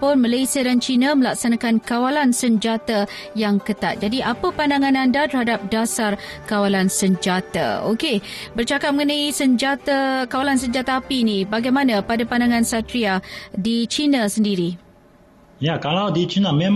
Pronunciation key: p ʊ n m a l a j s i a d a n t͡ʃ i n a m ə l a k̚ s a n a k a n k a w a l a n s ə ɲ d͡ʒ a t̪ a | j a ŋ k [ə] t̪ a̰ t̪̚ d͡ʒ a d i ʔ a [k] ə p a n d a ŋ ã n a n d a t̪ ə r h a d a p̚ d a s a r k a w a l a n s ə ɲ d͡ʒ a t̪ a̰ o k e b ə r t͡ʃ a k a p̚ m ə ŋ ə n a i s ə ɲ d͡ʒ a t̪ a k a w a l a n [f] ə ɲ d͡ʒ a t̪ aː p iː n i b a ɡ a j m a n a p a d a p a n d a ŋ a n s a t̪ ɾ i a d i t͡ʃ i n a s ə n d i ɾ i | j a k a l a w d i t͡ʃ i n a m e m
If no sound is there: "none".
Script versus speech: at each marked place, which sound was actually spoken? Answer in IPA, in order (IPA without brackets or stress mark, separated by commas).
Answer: ə, p, s